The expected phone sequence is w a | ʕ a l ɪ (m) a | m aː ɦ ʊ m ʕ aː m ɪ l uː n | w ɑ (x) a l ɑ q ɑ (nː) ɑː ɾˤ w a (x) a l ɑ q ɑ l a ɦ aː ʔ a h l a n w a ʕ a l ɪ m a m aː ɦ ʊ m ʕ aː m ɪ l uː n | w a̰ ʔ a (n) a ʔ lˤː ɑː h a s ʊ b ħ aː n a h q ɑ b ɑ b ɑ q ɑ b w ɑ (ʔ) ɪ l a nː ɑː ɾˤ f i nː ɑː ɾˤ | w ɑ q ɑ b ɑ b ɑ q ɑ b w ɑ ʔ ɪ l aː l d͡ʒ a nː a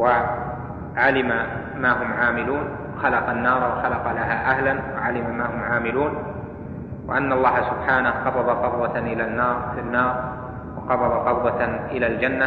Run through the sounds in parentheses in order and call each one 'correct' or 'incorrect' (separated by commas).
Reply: correct, correct, correct, correct, incorrect, correct